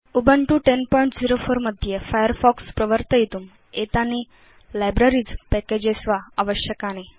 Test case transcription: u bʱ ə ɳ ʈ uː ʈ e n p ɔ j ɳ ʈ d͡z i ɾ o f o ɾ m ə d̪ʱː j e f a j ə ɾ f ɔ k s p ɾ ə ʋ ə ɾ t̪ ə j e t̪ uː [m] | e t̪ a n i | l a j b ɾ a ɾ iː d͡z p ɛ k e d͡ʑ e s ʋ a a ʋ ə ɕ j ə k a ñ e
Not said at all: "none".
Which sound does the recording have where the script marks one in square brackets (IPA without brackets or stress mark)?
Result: m